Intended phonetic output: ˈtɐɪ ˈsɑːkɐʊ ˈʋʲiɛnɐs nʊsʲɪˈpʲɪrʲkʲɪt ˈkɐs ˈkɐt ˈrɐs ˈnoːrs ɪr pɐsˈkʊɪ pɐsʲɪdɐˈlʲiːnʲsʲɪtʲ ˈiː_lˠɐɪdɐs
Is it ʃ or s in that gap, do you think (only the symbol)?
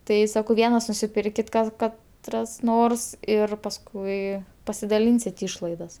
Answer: ʃ